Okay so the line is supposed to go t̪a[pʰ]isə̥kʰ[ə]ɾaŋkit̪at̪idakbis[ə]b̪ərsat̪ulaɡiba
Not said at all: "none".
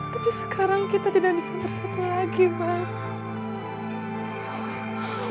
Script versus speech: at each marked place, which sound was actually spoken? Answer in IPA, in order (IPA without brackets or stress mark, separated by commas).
p, a, a